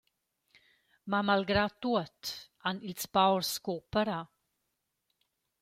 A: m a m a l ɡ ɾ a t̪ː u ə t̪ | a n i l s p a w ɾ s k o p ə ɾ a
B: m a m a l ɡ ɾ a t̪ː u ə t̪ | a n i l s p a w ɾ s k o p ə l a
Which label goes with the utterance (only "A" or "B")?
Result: A